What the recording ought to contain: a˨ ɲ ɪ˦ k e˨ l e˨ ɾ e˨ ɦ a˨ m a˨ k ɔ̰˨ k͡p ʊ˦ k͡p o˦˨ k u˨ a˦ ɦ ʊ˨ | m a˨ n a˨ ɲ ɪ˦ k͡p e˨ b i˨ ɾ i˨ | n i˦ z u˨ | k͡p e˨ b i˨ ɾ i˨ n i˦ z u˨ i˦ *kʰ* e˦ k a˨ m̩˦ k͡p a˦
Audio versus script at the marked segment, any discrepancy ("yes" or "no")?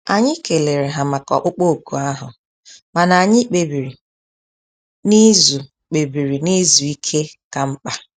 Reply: no